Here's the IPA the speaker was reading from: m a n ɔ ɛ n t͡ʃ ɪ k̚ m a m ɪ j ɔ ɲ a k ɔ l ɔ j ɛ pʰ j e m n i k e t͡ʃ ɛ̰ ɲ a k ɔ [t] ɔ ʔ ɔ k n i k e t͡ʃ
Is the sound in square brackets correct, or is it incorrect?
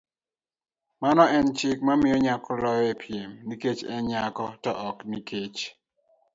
correct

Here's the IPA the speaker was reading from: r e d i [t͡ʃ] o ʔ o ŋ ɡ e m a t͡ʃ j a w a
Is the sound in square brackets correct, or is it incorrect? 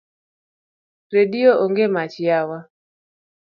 incorrect: none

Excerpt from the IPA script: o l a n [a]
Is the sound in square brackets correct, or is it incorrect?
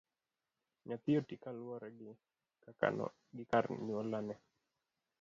incorrect: ɛ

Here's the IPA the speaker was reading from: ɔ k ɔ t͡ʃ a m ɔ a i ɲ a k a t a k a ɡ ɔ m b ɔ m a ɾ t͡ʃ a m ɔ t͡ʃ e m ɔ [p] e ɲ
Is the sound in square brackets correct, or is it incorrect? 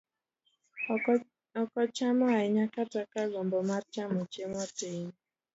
incorrect: t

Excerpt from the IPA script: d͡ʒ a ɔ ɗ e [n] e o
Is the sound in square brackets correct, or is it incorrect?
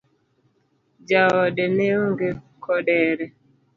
correct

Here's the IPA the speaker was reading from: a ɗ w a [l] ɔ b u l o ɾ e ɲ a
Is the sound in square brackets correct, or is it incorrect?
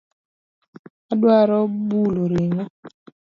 incorrect: ɾ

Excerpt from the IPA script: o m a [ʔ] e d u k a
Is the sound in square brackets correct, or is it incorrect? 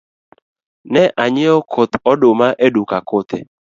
correct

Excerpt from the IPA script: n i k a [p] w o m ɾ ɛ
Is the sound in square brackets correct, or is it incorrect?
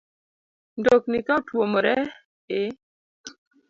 incorrect: t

